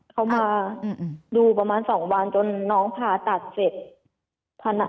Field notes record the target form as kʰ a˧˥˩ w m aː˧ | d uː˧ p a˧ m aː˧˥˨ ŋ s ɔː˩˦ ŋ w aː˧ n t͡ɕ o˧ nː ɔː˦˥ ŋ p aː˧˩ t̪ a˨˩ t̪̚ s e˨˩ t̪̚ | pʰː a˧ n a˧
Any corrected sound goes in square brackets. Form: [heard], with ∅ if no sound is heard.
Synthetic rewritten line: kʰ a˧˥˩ w m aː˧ | d uː˧ p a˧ m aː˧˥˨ [n] s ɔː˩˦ ŋ w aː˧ n t͡ɕ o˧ nː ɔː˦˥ ŋ [pʰ] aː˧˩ t̪ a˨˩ t̪̚ s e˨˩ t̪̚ | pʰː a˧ n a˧